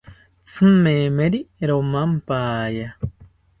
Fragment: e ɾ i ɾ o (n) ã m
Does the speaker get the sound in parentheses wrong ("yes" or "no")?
yes